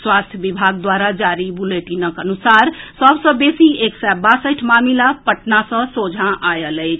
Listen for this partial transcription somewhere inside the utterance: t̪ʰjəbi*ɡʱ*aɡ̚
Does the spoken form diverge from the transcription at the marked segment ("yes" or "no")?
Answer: yes